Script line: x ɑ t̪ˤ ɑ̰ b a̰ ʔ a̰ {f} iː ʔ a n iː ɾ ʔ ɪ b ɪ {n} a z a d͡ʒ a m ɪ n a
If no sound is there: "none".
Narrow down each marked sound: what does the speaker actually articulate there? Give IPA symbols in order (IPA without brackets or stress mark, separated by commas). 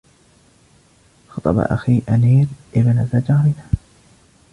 x, n